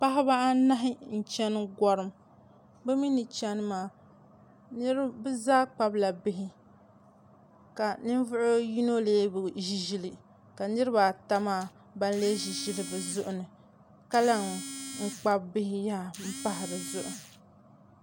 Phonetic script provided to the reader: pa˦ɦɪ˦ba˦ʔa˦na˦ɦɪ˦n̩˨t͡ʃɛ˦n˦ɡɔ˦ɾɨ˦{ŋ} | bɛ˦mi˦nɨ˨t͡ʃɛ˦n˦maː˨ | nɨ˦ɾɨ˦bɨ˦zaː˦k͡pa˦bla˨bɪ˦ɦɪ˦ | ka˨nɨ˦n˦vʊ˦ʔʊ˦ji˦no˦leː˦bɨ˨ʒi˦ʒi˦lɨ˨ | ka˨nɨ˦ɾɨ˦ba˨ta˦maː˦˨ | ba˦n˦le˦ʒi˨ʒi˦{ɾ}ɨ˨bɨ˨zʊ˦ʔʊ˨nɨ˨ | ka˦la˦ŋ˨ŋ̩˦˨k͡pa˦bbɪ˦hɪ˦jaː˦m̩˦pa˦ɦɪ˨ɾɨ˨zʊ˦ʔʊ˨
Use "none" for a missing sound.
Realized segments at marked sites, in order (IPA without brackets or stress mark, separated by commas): m, l